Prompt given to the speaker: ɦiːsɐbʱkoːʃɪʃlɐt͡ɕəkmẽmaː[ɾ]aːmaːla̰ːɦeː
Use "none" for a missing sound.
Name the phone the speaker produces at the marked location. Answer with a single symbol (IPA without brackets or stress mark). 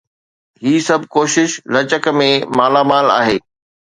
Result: l